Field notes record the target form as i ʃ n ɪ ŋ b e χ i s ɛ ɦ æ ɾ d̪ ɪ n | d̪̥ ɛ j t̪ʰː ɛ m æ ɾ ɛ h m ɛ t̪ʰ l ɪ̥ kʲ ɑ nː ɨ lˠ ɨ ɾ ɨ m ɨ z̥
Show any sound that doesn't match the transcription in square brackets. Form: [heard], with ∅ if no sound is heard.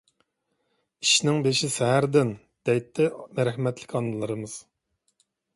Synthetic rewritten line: i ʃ n ɪ ŋ b e [ʃ] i s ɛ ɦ æ ɾ d̪ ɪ n | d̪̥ ɛ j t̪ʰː ɛ m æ ɾ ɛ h m ɛ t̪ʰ l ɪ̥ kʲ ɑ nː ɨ lˠ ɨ ɾ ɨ m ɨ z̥